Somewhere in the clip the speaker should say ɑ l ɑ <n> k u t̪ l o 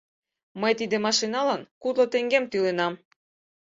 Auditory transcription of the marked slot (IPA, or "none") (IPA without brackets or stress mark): n